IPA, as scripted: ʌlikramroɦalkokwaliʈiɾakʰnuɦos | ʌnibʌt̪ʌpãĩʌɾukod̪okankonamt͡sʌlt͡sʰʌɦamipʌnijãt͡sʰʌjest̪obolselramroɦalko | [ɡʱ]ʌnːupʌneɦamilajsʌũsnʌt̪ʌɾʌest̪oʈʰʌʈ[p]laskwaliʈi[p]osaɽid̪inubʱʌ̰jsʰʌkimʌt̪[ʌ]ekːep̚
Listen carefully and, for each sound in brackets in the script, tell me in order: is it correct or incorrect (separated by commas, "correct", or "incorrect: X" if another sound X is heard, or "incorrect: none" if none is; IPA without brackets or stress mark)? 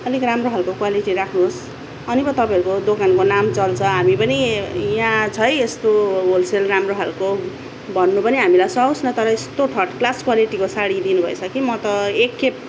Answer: incorrect: bʱ, incorrect: k, incorrect: k, correct